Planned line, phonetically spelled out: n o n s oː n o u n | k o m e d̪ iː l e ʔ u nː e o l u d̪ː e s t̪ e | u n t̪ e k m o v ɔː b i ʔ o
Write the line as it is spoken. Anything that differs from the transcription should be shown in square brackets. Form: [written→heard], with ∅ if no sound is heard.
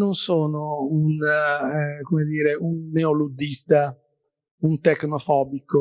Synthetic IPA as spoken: n o n s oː n o u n | k o m e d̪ iː [l→ɾ] e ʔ u nː e o l u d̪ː [e→i] s t̪ [e→a] | u n t̪ e k [m→n] o [v→f] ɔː b i [ʔ→k] o